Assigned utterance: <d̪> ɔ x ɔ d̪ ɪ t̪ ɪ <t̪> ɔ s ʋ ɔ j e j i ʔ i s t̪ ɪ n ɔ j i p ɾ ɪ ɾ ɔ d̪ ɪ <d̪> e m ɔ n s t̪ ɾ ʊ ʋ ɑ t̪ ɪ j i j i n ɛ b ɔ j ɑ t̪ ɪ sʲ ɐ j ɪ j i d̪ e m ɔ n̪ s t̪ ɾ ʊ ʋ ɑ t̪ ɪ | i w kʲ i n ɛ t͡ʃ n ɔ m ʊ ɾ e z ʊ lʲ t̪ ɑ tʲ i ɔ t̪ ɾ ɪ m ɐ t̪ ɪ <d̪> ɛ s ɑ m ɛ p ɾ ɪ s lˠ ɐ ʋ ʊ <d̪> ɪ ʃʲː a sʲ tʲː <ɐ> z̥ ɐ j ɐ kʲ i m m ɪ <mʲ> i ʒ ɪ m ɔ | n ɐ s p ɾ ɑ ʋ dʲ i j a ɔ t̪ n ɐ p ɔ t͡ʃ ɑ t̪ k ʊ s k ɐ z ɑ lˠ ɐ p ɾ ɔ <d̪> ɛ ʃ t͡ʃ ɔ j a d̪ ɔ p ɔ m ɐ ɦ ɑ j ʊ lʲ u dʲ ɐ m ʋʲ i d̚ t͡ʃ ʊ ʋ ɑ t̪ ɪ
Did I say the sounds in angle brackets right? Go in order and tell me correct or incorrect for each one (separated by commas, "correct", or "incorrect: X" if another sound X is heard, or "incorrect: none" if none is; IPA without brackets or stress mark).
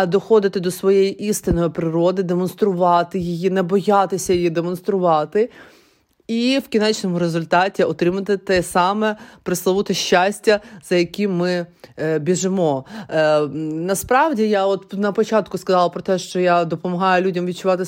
correct, incorrect: d̪, correct, incorrect: t̪, incorrect: t̪, correct, incorrect: bʲ, incorrect: t̪